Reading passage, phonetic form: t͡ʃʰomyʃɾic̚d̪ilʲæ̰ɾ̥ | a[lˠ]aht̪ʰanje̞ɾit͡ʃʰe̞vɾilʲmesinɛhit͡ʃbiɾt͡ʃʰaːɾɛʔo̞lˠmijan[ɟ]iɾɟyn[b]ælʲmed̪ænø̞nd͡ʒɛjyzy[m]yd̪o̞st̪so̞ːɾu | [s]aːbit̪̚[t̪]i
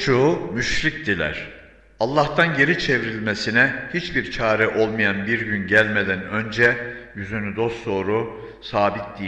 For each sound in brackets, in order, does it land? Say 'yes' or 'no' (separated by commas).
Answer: no, no, no, no, yes, no